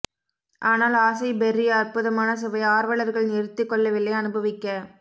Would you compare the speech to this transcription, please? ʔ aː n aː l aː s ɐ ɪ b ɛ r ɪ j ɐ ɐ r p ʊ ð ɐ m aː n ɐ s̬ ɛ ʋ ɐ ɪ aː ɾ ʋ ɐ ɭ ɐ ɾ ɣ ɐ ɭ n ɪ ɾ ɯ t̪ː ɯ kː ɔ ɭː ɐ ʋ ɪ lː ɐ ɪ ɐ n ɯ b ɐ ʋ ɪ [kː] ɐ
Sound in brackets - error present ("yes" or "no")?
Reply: no